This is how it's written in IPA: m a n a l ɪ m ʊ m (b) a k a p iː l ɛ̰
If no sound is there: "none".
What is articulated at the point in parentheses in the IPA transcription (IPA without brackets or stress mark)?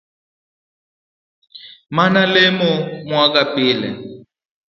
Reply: w